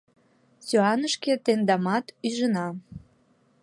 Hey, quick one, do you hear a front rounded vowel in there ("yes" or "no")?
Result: yes